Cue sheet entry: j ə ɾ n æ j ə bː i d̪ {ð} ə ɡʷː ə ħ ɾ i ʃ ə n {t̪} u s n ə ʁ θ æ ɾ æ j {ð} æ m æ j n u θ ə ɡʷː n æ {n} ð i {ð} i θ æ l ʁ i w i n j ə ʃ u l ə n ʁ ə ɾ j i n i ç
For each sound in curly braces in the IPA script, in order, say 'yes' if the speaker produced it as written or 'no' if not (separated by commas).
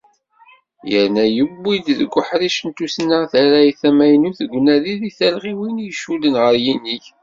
yes, yes, no, no, yes